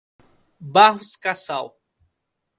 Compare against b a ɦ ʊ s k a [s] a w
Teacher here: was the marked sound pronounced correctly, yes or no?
yes